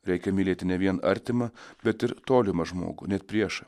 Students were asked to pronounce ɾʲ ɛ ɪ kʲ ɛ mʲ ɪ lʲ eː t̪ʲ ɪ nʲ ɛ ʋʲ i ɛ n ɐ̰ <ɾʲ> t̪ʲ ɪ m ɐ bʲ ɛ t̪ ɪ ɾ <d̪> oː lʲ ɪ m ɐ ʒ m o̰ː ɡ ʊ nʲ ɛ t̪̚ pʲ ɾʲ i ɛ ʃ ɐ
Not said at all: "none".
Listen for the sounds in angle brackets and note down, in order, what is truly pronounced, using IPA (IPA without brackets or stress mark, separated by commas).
ɾʲ, t̪